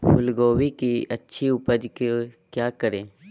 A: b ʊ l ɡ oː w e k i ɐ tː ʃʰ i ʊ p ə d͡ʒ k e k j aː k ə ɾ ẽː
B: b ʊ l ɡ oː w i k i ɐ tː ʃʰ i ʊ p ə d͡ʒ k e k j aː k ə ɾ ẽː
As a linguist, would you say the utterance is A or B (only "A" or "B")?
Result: B